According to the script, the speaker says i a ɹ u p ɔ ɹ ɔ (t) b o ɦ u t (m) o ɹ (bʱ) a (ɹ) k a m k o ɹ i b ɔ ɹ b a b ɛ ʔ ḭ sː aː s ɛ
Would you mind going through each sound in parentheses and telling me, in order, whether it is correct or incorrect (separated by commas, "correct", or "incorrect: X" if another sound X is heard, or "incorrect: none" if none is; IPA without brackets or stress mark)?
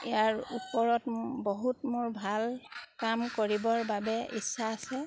correct, correct, correct, incorrect: l